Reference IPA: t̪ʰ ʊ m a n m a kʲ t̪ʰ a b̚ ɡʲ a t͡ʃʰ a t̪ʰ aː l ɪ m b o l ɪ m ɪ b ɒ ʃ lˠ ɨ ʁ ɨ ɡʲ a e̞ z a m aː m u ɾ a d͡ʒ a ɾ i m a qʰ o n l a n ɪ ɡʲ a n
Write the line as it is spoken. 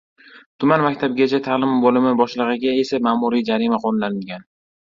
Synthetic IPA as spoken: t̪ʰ ʊ m a n m a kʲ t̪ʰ a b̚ ɡʲ a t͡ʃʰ a t̪ʰ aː l ɪ m b o l ɪ m ɪ b ɒ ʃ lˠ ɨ ʁ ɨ ɡʲ a e̞ s a m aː m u ɾ i d͡ʒ a ɾ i m a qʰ o n l a n ɪ ɡʲ a n

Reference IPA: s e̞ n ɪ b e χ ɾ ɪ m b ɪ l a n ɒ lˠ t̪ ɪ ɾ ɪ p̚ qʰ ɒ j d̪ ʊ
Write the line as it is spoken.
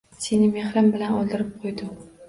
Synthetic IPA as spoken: s e̞ n ɪ m e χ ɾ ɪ m b ɪ l a n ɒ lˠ d̪ ɪ ɾ ɪ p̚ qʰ o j d̪ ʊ

